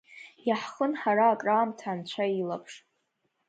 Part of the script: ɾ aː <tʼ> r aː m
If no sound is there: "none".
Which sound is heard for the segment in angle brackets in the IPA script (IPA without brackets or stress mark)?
kʼ